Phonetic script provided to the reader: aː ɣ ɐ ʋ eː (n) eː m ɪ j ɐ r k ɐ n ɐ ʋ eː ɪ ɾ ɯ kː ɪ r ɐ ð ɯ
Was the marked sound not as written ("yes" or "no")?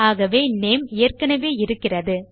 no